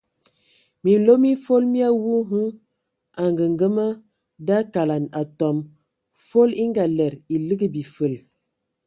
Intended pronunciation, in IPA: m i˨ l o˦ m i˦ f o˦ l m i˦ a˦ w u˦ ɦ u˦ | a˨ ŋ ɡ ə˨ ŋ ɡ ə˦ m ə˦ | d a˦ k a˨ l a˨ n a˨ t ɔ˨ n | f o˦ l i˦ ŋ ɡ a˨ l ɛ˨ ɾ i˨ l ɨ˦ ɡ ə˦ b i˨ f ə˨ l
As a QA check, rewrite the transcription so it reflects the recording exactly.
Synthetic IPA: m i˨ l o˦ m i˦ f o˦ l m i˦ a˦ w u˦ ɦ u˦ | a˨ ŋ ɡ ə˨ ŋ ɡ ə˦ m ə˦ | d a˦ k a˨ l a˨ n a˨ t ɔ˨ m | f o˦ l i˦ ŋ ɡ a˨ l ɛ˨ ɾ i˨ l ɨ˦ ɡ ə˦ b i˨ f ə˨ l